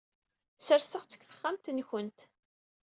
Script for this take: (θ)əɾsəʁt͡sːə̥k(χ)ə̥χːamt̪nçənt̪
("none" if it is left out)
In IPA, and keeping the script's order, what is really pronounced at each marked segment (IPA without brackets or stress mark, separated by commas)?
s, θ